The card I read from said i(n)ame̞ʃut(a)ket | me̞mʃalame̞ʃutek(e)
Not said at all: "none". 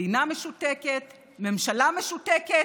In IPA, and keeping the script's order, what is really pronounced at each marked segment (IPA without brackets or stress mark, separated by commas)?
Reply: n, e, e